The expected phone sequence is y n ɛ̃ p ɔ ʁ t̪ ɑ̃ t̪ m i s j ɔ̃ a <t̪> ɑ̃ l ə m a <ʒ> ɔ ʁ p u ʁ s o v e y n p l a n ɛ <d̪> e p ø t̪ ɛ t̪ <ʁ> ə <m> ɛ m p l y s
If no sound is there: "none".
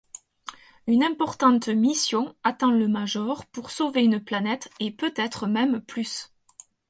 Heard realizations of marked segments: t̪, ʒ, t̪, χ, m

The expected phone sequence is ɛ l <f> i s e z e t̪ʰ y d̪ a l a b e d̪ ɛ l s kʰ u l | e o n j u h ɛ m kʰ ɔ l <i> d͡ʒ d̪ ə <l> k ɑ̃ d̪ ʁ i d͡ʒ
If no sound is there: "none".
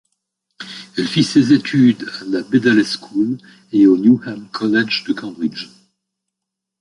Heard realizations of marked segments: f, ɛ, none

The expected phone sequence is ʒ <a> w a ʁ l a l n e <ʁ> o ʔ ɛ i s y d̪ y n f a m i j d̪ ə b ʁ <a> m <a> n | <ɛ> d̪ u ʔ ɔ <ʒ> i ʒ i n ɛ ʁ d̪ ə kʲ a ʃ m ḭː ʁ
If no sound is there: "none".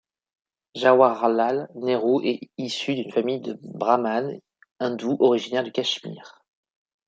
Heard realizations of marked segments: a, ʁ, a, a, ɛ̃, ʁ

